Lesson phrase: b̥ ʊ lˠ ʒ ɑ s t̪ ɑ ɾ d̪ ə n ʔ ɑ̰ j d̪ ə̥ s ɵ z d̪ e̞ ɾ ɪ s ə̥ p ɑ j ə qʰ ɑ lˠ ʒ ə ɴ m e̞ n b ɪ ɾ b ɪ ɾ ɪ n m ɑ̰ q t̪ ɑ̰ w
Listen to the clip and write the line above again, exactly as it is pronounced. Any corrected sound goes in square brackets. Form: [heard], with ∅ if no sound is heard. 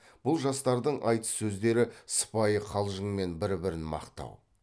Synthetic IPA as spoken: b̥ ʊ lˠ ʒ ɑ s t̪ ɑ ɾ d̪ ə [ɴ] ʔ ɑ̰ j [t̪] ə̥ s ɵ z d̪ e̞ ɾ ɪ s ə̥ p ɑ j ə qʰ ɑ lˠ ʒ ə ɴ m e̞ n b ɪ ɾ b ɪ ɾ ɪ n m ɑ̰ q t̪ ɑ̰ w